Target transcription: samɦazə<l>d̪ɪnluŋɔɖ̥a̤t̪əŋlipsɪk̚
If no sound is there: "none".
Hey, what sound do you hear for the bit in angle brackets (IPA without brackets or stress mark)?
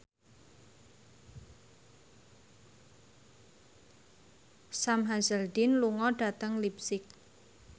l